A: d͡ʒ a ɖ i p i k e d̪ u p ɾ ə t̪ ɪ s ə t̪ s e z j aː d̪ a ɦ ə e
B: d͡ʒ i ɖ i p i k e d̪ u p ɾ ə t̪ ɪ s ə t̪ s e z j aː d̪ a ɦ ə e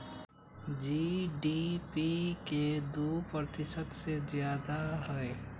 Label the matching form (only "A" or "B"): B